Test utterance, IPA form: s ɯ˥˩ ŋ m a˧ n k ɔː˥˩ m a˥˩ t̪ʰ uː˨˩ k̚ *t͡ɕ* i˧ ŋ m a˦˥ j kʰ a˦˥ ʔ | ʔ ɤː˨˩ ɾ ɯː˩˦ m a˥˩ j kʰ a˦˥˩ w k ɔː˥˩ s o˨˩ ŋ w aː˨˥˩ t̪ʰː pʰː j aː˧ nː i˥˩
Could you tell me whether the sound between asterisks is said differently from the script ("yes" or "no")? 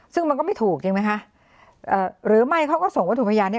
no